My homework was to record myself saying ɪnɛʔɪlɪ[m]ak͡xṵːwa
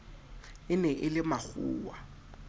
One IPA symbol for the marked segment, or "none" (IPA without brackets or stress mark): m